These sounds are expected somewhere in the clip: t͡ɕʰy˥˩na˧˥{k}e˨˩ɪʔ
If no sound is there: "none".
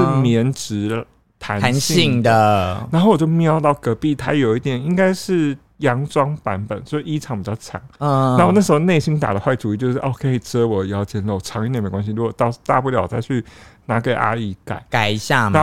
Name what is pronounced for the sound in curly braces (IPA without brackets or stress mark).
k